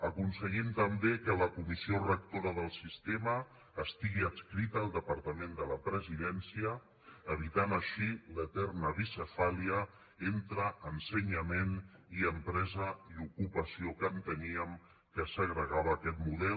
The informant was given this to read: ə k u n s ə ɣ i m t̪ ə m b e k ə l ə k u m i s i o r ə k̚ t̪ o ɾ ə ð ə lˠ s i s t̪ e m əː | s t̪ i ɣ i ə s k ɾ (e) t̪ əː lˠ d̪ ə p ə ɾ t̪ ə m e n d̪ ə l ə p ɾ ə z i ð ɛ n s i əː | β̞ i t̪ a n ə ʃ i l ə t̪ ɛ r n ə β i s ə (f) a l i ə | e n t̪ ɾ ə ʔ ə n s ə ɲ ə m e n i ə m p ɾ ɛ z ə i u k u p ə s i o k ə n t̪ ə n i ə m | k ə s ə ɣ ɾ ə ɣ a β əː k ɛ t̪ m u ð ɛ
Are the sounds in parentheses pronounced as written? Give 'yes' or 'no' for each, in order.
no, yes

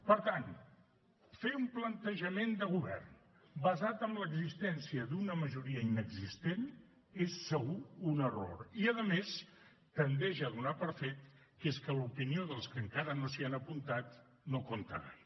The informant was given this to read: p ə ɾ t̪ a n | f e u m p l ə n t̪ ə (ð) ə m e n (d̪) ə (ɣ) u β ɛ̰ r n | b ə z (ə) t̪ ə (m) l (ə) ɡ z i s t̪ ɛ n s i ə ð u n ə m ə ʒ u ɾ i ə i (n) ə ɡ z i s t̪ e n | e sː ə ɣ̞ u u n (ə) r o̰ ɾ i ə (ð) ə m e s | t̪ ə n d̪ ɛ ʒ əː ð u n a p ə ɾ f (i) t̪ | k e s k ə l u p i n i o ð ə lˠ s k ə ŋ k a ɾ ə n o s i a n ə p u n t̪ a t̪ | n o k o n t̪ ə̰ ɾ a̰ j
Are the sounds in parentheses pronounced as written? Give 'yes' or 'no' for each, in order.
no, yes, yes, no, yes, yes, yes, yes, yes, no

